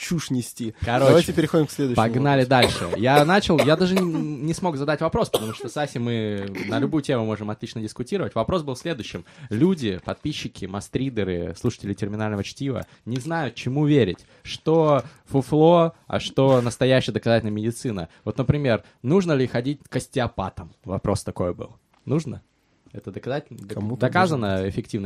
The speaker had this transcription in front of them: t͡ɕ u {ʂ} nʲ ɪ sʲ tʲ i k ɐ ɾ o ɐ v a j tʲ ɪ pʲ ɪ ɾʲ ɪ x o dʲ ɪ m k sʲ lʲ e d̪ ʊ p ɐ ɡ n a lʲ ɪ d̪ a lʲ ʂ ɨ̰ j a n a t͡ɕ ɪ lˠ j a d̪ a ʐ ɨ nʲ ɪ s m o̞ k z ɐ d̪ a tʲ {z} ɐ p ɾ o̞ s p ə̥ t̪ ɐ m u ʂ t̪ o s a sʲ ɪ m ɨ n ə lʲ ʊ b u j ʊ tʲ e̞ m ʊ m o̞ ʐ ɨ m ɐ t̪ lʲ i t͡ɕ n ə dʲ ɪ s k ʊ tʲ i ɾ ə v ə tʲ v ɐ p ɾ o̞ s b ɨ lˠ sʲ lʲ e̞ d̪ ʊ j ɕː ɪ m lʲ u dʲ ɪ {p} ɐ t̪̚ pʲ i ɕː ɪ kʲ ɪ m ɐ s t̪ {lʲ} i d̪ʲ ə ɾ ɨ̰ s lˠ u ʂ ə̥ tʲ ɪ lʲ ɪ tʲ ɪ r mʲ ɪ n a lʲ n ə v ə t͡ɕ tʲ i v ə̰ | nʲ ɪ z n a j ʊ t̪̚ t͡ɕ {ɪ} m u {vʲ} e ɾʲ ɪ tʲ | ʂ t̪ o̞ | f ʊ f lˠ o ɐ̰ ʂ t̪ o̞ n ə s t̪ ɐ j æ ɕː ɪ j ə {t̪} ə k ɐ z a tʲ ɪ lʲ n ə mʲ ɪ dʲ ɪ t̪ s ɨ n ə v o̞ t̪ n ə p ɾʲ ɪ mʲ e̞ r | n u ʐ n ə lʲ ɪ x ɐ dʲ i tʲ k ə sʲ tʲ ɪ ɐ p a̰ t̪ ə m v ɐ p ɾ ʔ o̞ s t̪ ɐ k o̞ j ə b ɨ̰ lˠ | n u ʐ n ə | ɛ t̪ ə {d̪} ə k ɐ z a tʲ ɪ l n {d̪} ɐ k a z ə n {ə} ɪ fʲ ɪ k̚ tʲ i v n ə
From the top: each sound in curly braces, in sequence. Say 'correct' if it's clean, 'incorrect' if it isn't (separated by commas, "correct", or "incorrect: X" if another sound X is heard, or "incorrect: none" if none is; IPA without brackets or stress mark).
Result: correct, incorrect: v, correct, incorrect: ɾʲ, correct, correct, incorrect: d̪, correct, correct, correct